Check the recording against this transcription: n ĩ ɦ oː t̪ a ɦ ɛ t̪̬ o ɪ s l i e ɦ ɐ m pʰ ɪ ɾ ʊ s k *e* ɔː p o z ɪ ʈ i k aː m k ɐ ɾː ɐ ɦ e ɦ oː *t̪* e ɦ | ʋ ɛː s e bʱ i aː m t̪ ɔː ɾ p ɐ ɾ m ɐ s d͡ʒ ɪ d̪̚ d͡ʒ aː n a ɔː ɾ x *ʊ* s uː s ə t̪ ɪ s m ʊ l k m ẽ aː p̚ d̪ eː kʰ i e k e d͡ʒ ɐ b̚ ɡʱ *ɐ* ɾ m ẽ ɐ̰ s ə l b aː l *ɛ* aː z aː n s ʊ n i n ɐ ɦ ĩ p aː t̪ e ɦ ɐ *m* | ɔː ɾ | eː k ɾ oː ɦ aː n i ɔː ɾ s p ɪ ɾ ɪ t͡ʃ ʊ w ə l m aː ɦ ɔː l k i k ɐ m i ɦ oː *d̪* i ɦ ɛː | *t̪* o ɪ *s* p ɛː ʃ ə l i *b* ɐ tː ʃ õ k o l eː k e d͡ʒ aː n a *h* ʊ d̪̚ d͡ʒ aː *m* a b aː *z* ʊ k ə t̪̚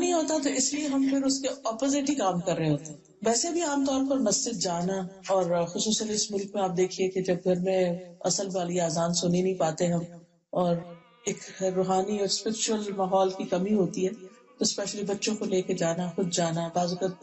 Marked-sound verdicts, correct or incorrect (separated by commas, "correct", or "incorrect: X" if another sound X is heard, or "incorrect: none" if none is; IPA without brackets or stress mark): correct, correct, correct, correct, incorrect: i, correct, incorrect: t̪, correct, correct, correct, incorrect: x, incorrect: n, correct